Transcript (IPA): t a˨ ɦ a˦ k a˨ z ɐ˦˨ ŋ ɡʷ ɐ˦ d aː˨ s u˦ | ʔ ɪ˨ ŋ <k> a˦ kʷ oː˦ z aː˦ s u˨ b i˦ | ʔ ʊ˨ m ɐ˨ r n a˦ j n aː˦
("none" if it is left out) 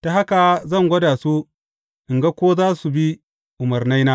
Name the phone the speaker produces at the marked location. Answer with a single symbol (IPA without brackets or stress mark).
ɡ